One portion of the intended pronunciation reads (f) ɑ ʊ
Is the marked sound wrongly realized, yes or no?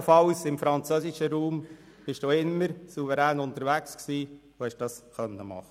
no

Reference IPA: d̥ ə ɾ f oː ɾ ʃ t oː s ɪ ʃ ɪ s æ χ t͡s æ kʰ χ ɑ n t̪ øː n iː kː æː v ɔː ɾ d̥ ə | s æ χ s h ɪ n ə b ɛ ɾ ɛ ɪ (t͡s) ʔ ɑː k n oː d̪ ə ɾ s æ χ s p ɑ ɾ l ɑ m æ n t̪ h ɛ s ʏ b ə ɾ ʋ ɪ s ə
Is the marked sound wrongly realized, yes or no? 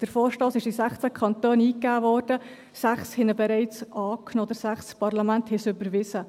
no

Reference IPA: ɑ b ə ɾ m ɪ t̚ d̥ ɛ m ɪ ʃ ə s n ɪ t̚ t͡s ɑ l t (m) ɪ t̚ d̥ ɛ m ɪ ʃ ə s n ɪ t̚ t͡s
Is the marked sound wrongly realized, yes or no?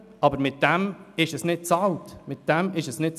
no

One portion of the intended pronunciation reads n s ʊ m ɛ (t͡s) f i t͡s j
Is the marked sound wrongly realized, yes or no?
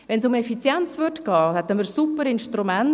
yes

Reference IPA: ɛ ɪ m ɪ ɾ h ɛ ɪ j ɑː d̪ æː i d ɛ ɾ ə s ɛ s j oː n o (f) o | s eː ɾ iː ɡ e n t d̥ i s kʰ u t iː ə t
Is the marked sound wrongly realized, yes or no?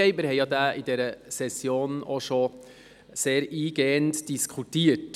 yes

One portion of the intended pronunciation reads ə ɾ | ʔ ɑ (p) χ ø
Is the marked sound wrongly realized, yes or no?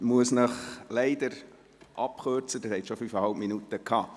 no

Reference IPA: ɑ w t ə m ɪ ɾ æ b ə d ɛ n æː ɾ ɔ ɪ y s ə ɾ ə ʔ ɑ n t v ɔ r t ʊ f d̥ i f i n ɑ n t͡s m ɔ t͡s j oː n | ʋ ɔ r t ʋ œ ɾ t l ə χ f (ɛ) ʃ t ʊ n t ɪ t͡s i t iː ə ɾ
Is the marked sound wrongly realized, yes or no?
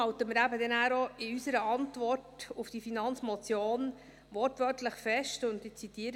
no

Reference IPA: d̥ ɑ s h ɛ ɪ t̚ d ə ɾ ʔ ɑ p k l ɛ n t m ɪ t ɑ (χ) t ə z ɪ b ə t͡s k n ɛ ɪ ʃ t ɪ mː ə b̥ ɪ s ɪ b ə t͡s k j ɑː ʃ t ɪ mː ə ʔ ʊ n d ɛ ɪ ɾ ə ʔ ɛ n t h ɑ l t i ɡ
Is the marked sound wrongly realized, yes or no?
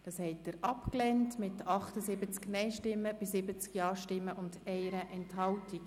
no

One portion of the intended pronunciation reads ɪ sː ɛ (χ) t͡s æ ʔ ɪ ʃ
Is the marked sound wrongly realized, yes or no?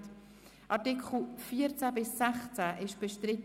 no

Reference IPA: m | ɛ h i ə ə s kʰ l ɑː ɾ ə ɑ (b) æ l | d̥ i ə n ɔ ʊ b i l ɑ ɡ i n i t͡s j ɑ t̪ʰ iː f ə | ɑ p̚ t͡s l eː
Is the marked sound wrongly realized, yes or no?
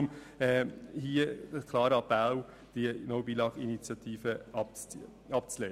yes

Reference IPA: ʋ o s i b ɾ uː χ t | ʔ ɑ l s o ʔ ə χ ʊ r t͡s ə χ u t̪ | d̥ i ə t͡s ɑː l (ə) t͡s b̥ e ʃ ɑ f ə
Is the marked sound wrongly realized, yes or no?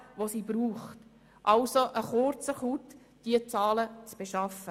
no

